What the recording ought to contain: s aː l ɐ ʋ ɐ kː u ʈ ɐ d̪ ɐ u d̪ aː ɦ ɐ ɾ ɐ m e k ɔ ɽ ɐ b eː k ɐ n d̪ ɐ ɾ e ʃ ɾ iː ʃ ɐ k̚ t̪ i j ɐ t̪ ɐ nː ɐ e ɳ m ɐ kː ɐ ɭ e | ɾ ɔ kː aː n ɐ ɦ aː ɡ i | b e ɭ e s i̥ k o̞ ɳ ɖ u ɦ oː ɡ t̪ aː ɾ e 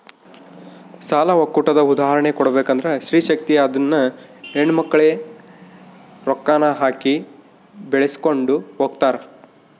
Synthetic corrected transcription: s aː l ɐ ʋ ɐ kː u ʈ ɐ d̪ ɐ u d̪ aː ɦ ɐ ɾ ɐ ɳ e k ɔ ɽ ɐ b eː k ɐ n d̪ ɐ ɾ e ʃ ɾ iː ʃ ɐ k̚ t̪ i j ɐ d̪ ɐ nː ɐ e ɳ m ɐ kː ɐ ɭ e | ɾ ɔ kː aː n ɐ ɦ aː k i | b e ɭ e s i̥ k o̞ ɳ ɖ u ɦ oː ɡ t̪ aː ɾ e